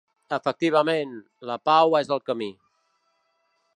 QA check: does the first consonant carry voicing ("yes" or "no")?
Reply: no